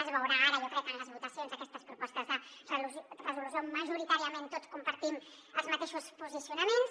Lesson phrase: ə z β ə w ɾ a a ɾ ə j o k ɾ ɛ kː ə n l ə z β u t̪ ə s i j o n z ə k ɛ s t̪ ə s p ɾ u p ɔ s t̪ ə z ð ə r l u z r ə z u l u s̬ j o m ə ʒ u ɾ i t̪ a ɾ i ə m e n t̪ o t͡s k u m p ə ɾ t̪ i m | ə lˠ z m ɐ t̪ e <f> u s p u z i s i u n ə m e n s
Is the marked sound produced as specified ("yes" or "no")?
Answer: no